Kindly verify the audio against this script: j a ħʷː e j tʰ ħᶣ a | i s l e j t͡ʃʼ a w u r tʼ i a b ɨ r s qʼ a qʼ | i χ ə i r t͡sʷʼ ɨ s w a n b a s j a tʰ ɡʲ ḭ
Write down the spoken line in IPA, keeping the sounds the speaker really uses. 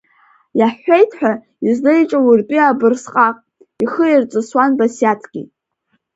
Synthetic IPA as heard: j a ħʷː e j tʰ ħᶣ a | i z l e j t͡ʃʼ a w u r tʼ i a b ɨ r s qʼ a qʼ | i χ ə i r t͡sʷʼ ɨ s w a n b a s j a tʰ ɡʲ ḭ